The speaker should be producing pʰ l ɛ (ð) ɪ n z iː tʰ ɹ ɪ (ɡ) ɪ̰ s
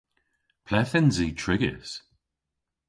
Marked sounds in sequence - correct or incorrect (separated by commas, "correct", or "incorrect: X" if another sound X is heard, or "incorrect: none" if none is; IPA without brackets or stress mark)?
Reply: incorrect: θ, correct